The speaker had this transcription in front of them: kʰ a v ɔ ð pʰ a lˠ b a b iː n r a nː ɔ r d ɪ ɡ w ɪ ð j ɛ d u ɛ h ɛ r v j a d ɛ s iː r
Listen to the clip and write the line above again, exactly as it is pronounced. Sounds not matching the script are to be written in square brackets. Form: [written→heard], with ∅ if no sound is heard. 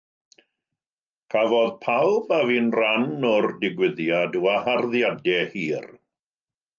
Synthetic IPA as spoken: kʰ a v ɔ ð pʰ a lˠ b a [b→v] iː n r a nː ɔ r d ɪ ɡ w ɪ ð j [ɛ→a] d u [ɛ→a] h [ɛ→a] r [v→ð] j a d ɛ [s→h] iː r